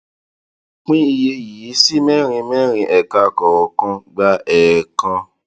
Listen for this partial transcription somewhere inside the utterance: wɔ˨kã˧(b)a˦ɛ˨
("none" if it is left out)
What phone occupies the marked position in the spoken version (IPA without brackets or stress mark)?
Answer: ɡ͡b